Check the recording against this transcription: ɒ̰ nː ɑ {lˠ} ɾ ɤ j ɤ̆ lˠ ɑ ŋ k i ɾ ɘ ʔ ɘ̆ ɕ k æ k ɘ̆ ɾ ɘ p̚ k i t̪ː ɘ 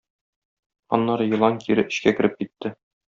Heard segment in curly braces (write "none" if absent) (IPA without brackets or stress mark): none